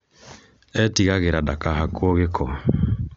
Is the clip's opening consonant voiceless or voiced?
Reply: voiceless